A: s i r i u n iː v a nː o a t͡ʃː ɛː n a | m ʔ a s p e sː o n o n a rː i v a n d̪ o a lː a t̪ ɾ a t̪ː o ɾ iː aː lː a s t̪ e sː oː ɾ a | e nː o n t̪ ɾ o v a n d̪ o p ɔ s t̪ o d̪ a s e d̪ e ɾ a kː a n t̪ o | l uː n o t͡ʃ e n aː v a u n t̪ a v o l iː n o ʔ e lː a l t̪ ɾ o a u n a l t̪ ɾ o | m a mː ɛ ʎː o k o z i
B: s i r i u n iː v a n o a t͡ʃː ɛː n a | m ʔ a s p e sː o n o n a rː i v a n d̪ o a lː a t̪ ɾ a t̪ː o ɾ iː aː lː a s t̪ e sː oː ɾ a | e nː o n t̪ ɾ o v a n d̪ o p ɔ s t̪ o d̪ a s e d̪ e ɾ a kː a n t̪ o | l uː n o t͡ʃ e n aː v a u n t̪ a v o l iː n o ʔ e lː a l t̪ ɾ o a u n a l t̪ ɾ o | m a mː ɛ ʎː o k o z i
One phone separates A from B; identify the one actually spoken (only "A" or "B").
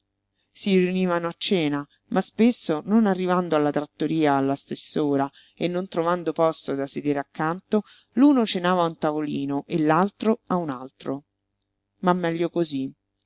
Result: B